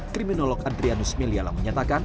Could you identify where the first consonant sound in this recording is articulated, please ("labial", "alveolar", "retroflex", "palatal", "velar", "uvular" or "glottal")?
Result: velar